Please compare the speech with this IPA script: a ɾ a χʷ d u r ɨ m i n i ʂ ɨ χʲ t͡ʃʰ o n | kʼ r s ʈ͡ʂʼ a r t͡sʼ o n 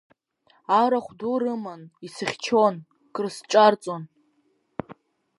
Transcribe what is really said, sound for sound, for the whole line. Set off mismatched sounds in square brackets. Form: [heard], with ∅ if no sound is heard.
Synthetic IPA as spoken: a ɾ a χʷ d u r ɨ m [a] n i [s] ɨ χʲ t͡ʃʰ o n | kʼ r s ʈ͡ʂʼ a r t͡sʼ o n